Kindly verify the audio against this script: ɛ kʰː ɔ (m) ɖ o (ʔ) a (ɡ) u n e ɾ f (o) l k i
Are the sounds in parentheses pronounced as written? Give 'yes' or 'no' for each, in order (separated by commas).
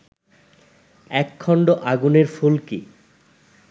no, yes, yes, no